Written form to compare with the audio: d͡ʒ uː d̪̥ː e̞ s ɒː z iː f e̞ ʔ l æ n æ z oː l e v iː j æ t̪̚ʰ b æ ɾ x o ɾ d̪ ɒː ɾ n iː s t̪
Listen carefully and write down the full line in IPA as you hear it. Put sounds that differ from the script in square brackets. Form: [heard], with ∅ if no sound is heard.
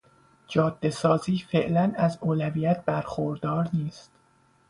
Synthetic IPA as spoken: d͡ʒ [ɒː] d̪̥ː e̞ s ɒː z iː f e̞ ʔ l æ n æ z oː l [æ] v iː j æ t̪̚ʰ b æ ɾ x o ɾ d̪ ɒː ɾ n iː s t̪